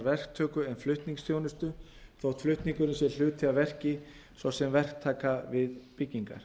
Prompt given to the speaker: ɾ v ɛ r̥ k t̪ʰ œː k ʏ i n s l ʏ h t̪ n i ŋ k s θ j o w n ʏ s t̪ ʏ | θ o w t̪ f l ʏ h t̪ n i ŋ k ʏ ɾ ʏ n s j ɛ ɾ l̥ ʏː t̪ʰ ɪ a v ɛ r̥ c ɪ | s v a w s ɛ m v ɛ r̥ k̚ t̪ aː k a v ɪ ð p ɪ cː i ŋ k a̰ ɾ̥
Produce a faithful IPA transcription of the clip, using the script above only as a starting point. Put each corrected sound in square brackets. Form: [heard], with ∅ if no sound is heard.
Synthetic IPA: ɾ v ɛ r̥ k t̪ʰ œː k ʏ [ɛ] n [f] l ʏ h t̪ n i ŋ k s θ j o w n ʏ s t̪ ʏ | θ o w t̪ f l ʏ h t̪ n i ŋ k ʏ ɾ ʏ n s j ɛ ɾ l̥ ʏː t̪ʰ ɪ a v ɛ r̥ c ɪ | s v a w s ɛ m v ɛ r̥ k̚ [t̪ʰ] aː k a v ɪ ð p ɪ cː i ŋ k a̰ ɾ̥